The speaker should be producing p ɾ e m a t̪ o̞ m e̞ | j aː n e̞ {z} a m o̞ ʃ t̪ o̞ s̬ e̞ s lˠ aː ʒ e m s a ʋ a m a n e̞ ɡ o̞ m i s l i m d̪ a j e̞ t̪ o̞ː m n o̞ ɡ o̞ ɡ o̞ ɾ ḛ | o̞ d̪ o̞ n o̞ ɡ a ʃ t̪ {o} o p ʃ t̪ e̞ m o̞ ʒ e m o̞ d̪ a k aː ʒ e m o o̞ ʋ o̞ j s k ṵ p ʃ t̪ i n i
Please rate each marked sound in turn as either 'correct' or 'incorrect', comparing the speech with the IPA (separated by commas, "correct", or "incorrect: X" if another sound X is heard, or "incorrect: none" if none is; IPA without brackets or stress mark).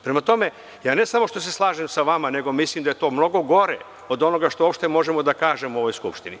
incorrect: s, correct